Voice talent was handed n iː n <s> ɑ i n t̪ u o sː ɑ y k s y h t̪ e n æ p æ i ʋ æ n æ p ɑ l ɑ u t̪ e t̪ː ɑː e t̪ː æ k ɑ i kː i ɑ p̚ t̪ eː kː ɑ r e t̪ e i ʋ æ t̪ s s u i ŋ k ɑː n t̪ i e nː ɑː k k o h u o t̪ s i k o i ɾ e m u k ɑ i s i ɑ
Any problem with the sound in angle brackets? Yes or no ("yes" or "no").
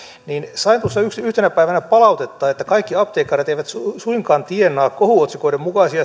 no